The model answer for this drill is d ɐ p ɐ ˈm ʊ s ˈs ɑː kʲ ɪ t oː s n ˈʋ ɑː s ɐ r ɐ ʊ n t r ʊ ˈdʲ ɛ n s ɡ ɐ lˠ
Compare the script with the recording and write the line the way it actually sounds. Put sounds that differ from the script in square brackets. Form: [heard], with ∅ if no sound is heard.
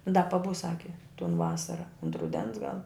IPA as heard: d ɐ p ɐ [ˈb] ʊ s ˈs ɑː kʲ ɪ t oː [∅] n ˈʋ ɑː s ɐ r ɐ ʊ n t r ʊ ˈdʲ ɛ n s ɡ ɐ lˠ